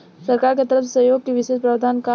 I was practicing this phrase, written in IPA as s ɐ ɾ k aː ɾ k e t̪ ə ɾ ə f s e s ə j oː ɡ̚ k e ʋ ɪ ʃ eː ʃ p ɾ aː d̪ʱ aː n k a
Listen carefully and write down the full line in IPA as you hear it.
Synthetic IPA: s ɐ ɾ k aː ɾ k e t̪ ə ɾ ə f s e s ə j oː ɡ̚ k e ʋ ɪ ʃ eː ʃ p ɾ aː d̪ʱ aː n k a